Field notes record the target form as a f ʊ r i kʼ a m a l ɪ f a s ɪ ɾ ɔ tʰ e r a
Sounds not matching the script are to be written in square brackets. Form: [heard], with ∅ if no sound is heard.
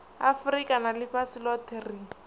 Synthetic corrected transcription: a f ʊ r i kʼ a [n] a l ɪ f a s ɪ [l] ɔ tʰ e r [i]